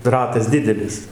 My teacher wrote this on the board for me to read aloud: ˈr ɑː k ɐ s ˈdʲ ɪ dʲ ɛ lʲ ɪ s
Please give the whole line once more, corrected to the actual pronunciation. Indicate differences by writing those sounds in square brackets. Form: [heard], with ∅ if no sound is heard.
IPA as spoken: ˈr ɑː [t] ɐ s ˈdʲ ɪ dʲ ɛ lʲ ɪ s